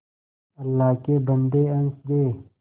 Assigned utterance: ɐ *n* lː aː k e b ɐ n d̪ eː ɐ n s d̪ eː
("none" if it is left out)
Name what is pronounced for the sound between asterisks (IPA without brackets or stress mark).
none